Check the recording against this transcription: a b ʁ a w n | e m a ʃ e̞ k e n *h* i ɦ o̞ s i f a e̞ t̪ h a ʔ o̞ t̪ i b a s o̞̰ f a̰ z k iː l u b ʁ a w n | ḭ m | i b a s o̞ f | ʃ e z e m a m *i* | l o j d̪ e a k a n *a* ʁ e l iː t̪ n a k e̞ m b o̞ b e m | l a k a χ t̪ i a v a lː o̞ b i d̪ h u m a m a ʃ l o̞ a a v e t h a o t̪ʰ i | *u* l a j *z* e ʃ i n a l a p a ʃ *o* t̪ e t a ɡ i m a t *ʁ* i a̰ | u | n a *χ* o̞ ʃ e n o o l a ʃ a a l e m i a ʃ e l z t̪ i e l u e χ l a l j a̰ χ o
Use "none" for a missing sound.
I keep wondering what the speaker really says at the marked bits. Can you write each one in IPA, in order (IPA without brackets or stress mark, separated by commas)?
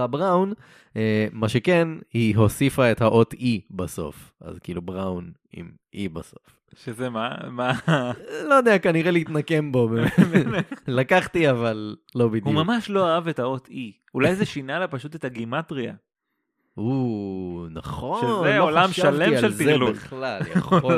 h, a, i, u, z, u, ʁ, χ